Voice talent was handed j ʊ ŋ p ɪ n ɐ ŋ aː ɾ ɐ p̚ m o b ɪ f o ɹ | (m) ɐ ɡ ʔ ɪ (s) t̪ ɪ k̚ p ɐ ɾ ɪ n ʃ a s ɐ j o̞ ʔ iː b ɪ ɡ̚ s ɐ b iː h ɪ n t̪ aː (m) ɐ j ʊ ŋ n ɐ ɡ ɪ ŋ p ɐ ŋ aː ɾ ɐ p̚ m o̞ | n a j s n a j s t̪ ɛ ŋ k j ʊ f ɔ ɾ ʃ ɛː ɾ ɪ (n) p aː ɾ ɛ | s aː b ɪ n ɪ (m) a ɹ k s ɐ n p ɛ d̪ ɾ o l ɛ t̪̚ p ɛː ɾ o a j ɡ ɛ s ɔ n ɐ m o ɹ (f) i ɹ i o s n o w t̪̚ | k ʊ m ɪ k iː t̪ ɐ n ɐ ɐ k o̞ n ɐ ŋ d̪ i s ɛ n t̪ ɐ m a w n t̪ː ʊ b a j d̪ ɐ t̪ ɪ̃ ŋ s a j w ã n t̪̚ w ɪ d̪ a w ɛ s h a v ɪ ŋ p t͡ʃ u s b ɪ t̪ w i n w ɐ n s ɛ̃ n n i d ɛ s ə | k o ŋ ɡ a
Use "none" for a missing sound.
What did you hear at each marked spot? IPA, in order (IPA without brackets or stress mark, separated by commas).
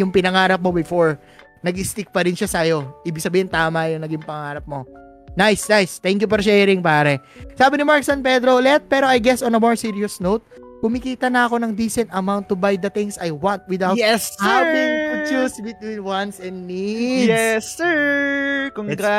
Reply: n, s, m, ŋ, m, s